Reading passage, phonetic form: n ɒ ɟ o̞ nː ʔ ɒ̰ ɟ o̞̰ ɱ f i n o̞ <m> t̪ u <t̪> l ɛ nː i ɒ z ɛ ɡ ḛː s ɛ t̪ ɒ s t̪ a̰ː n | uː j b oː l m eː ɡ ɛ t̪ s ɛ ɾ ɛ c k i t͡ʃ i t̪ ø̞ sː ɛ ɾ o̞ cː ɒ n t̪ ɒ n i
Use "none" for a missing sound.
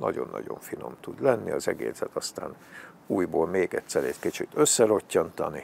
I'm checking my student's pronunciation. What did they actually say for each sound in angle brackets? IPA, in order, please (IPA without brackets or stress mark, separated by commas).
m, d̪